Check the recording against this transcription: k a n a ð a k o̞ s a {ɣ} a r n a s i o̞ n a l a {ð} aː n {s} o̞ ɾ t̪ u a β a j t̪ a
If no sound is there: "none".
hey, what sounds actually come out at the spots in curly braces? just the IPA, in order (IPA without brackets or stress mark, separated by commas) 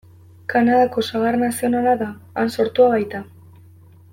ɣ, ð, s